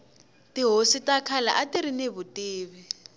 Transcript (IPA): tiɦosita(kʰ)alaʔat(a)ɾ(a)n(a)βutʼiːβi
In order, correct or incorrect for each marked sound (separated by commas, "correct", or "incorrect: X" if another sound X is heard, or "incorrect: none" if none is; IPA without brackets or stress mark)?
correct, incorrect: i, incorrect: i, incorrect: e